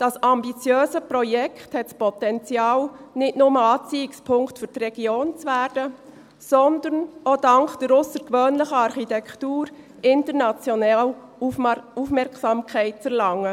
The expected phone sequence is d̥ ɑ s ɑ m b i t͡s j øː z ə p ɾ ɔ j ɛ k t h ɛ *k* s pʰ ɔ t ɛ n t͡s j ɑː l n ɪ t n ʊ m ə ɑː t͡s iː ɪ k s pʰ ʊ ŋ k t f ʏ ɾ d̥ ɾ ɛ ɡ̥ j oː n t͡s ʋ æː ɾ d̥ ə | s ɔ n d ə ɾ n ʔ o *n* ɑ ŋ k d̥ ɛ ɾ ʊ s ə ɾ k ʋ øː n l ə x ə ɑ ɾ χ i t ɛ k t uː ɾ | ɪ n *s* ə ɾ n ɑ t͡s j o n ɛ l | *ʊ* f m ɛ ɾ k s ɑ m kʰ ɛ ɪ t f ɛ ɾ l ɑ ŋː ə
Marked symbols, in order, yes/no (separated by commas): no, no, no, no